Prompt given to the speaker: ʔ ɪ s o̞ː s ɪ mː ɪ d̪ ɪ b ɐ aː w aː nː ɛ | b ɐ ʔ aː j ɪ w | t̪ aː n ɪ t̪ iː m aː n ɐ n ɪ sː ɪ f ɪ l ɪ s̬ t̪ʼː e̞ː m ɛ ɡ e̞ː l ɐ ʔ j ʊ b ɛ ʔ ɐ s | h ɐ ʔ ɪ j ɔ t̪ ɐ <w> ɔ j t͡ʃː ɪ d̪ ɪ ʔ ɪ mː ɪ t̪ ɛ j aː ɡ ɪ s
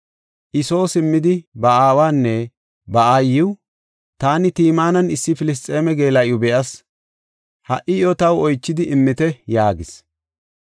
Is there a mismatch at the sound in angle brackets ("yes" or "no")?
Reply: no